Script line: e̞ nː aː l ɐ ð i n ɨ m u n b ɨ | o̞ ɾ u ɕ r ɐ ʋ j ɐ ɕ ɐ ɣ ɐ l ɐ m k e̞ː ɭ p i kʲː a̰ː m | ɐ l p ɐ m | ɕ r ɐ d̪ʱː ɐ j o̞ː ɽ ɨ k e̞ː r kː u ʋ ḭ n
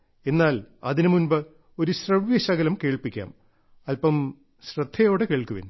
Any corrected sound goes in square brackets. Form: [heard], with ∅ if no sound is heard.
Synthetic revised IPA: e̞ nː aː l ɐ ð i n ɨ m u n b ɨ | o̞ ɾ u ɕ r ɐ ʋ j ɐ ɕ ɐ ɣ ɐ l ɐ m k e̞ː ɭ p i kʲː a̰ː m | ɐ l p ɐ m | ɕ r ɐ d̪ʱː ɐ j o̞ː ɽ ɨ k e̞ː [ɭ] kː u ʋ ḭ n